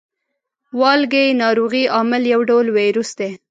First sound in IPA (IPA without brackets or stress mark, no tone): w